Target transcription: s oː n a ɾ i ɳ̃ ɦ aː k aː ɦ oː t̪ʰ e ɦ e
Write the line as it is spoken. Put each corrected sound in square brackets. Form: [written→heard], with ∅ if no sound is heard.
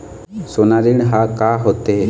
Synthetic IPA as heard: s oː n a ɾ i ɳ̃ ɦ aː k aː ɦ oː [t̪ʰ→t̪] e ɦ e

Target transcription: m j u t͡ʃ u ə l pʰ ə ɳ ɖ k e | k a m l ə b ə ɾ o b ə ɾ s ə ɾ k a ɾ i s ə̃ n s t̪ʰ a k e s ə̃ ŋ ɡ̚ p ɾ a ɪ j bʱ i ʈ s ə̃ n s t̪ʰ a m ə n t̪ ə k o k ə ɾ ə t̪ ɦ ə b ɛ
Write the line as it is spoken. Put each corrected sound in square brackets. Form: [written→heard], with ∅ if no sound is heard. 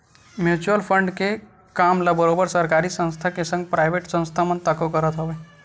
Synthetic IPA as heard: m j u t͡ʃ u ə l pʰ ə ɳ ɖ k e | k a m l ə b ə ɾ o b ə ɾ s ə ɾ k a ɾ i s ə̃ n s t̪ʰ a k e s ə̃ ŋ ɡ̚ p ɾ a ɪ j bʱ [i→e] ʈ s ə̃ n s t̪ʰ a m ə n t̪ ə k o k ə ɾ ə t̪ ɦ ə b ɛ

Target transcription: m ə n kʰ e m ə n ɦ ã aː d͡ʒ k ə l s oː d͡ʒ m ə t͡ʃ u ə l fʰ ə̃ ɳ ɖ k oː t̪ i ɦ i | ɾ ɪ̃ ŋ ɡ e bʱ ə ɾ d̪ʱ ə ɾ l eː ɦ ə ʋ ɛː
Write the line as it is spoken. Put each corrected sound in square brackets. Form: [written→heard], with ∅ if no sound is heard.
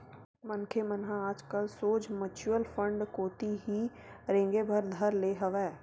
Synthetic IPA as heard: m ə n kʰ e m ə n ɦ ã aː d͡ʒ k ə l s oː d͡ʒ m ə t͡ʃ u ə l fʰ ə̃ ɳ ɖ k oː t̪ i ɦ i | ɾ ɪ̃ ŋ ɡ e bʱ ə ɾ d̪ʱ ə ɾ l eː ɦ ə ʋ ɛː

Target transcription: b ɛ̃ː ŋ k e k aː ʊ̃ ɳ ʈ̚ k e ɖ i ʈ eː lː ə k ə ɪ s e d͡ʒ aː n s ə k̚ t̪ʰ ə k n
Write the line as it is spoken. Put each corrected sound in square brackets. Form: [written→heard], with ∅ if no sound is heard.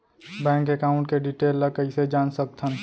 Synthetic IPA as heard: b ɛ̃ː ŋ k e k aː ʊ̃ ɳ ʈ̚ k e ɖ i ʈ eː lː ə k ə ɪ s e d͡ʒ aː n s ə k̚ t̪ʰ ə [k→∅] n

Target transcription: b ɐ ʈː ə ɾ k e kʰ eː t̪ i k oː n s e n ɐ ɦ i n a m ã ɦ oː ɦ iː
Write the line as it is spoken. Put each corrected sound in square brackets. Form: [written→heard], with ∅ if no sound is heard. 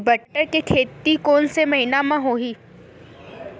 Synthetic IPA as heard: b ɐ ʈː ə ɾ k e kʰ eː t̪ i k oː n s e [n→m] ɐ ɦ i n a m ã ɦ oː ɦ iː

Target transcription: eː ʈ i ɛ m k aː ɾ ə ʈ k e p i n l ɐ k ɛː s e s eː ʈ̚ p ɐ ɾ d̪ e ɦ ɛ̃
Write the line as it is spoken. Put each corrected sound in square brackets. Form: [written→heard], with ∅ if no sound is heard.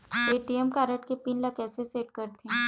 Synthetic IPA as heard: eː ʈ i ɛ m k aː ɾ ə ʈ k e p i n l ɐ k ɛː s e s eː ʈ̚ [p→k] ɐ ɾ [d̪→t̪] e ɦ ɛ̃

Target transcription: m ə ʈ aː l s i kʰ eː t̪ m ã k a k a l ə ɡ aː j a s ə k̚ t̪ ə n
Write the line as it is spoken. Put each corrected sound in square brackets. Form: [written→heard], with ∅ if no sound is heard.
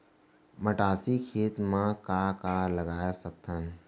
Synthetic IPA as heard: m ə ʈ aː [l→∅] s i kʰ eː t̪ m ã k a k a l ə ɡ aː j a s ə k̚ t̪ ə n

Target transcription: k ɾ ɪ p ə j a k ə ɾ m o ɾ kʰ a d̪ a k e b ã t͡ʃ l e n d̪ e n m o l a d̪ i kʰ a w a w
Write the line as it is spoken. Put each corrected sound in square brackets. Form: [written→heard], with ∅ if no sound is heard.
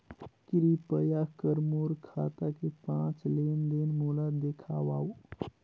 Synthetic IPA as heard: k ɾ [ɪ→i] p ə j a k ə ɾ m o ɾ kʰ a [d̪→t̪] a k e [b→p] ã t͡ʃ l e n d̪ e n m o l a d̪ [i→e] kʰ a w a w

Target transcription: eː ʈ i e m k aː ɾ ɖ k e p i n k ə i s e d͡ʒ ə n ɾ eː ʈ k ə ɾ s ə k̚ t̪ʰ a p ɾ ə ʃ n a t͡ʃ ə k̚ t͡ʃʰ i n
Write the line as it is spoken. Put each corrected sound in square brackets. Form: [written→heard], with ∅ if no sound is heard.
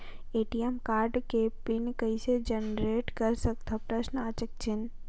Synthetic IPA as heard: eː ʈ i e m k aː ɾ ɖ k e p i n k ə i s e d͡ʒ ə n ɾ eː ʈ k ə ɾ s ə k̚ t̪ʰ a p ɾ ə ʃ n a t͡ʃ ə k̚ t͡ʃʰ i n

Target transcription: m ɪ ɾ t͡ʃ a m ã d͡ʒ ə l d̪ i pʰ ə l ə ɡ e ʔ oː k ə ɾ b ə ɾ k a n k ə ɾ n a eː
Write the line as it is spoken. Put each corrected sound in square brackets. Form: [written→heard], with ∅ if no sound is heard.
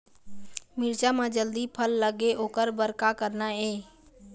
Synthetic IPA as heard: m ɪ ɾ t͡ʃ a m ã d͡ʒ ə l d̪ i pʰ ə [l→lː] ə ɡ e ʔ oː k ə ɾ b ə ɾ k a [n→∅] k ə ɾ n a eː

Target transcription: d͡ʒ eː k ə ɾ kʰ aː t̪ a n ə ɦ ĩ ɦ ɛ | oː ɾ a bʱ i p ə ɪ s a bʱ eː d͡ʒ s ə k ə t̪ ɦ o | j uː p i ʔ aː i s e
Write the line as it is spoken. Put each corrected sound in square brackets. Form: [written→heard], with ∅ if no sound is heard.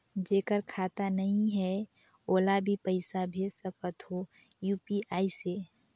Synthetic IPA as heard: d͡ʒ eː k ə ɾ kʰ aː t̪ a n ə ɦ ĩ ɦ ɛ | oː [ɾ→l] a bʱ i p ə ɪ s a bʱ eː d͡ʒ s ə k ə t̪ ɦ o | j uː p i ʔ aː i s e

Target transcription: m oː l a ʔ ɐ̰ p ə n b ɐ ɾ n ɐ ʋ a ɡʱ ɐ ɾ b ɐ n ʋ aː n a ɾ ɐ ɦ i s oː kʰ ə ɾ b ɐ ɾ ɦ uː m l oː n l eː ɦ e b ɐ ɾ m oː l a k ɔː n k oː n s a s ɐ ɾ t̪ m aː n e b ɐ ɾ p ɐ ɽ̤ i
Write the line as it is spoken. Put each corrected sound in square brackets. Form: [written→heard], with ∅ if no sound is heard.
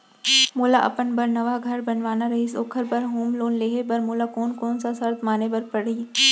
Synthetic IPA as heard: m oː l a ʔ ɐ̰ p ə n b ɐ ɾ n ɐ ʋ a ɡʱ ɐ ɾ b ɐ n ʋ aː n a ɾ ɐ ɦ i s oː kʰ ə ɾ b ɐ ɾ ɦ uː m l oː n l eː ɦ e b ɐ ɾ m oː l a k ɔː n k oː n s a s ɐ ɾ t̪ m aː n e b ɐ ɾ p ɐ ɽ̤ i

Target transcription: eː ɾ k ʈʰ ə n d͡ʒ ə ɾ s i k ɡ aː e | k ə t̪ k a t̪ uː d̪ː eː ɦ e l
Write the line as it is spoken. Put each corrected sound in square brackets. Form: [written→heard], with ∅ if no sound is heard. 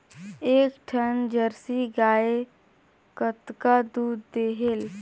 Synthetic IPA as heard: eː [ɾ→∅] k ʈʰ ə n d͡ʒ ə ɾ s i [k→∅] ɡ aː e | k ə t̪ k a [t̪→d̪] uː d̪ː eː ɦ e l

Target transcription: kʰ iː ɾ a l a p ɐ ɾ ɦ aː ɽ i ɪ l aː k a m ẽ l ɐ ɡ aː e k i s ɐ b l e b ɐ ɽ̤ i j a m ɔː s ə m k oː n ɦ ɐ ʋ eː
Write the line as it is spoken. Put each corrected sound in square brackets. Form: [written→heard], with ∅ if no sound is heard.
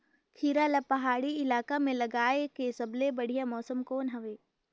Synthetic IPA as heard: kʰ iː ɾ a l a p ɐ [ɾ→∅] ɦ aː ɽ i ɪ l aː k a m ẽ l ɐ ɡ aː e k [i→e] s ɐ b l e b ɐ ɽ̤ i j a m ɔː s ə m k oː n ɦ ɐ ʋ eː

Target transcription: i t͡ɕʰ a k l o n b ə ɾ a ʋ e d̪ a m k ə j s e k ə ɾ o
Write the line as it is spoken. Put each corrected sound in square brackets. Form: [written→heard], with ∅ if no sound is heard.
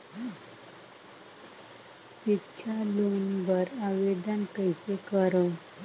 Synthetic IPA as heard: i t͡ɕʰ a [k→∅] l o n b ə ɾ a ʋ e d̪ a [m→n] k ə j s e k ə ɾ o

